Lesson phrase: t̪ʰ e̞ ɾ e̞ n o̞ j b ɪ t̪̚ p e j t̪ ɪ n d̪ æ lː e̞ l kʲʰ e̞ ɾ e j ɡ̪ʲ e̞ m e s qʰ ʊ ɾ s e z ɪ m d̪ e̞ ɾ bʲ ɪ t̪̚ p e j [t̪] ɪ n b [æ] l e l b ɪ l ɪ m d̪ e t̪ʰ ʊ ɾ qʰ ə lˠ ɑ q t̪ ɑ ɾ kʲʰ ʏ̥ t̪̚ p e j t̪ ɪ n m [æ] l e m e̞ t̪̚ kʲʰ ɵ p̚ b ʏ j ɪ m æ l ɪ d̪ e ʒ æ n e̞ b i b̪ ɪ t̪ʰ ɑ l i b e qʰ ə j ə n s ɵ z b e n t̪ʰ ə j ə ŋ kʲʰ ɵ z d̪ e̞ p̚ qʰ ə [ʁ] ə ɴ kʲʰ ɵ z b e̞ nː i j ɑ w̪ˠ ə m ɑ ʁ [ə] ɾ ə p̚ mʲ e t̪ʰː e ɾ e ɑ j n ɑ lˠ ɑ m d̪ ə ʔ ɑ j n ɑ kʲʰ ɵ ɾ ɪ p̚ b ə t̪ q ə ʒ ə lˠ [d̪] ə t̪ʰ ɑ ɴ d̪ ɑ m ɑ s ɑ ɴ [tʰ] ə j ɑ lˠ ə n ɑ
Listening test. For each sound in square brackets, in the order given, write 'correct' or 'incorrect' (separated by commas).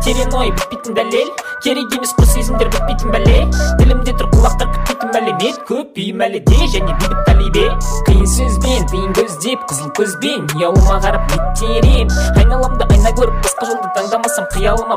correct, correct, correct, incorrect, incorrect, correct, incorrect